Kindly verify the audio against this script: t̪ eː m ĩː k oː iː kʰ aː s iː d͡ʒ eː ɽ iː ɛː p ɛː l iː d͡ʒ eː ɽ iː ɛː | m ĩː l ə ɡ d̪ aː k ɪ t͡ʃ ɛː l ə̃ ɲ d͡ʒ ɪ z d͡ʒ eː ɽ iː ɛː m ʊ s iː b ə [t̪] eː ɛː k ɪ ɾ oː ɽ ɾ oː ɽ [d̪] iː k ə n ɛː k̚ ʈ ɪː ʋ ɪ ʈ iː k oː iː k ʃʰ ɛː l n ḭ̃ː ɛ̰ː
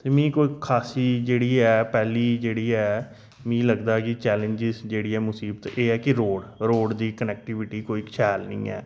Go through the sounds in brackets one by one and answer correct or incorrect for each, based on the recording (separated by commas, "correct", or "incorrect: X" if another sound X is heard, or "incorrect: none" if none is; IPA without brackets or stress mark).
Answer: correct, correct